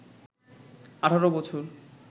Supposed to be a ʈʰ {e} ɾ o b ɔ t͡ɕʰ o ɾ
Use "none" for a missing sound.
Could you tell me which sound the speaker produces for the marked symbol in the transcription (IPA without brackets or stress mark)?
a